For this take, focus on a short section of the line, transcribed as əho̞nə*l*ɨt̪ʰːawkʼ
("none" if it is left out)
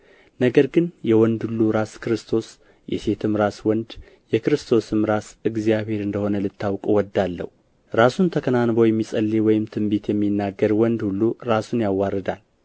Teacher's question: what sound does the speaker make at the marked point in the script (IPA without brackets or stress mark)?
l